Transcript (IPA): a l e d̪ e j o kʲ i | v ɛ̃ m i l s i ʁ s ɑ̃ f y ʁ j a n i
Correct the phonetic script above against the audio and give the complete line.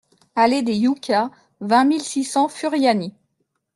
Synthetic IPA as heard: a l e d̪ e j u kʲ a | v ɛ̃ m i l s i s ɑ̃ f y ʁ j a n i